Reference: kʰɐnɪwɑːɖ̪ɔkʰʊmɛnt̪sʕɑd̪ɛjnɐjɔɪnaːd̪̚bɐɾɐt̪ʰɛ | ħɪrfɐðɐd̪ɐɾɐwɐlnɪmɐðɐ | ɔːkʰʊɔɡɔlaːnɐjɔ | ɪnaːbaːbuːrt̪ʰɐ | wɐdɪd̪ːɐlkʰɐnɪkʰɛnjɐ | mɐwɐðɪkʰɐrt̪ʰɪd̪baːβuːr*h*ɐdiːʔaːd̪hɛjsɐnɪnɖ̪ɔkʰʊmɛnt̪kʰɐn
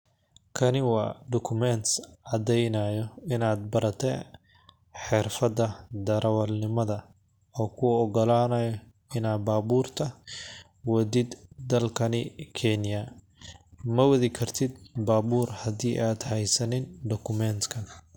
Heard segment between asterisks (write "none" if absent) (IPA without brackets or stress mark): h